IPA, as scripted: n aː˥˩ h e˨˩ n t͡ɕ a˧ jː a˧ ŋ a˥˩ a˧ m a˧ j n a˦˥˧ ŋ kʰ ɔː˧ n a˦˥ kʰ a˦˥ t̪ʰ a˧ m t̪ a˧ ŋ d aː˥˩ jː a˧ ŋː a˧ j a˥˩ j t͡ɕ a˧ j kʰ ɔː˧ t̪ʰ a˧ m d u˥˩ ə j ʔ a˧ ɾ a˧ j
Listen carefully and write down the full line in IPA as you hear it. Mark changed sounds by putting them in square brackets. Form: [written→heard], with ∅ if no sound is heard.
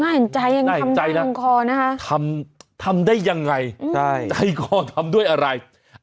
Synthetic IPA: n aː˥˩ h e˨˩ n t͡ɕ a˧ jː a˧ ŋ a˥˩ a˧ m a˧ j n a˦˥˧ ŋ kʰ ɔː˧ n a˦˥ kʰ a˦˥ t̪ʰ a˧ m [t̪→t̪ʰ] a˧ [ŋ→m] d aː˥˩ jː a˧ ŋː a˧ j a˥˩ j t͡ɕ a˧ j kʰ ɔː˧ t̪ʰ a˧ m d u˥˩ ə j ʔ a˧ ɾ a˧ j